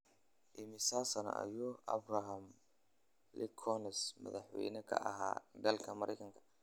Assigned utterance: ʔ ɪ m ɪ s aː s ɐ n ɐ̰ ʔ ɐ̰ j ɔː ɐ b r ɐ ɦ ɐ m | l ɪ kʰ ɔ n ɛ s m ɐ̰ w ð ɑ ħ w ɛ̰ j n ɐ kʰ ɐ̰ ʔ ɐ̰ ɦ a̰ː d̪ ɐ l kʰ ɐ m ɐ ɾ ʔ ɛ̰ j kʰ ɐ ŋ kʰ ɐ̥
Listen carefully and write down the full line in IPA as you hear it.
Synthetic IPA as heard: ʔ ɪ m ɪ s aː s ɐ n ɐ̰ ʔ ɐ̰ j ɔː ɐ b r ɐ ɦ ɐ m | l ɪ kʰ ɔ n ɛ s m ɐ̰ ð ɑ ħ w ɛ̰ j n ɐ kʰ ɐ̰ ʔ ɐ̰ ɦ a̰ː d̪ ɐ l kʰ ɐ m ɐ ɾ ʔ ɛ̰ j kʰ ɐ ŋ kʰ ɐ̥